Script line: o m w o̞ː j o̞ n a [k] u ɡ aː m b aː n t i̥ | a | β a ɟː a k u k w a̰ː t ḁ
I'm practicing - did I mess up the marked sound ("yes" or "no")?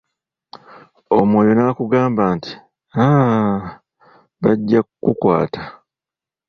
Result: no